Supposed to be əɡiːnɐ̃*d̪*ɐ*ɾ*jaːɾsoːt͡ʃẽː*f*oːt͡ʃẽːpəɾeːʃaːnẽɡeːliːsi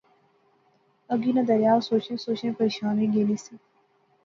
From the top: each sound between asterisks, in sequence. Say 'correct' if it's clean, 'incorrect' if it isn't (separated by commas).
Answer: correct, correct, incorrect